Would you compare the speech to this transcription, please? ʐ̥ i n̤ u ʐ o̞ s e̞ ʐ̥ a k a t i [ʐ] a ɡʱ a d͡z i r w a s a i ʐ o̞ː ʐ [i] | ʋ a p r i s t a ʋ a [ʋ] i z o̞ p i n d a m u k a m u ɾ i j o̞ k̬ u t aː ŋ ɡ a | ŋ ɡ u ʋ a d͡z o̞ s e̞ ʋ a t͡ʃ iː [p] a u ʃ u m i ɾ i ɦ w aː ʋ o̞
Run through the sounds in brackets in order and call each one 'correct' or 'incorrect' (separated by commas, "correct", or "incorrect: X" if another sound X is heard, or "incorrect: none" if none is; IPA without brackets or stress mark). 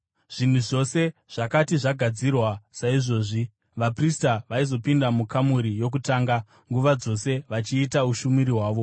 correct, correct, incorrect: none, incorrect: t